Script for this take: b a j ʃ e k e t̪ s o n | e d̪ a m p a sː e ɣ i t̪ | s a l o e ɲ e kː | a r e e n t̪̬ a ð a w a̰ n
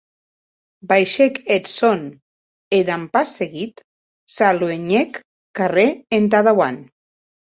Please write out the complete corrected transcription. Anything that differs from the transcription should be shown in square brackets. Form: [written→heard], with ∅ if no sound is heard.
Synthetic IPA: b a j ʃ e k e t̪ s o n | e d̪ a m p a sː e ɣ i t̪ | s a l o e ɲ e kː | a r e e n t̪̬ a ð a w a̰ n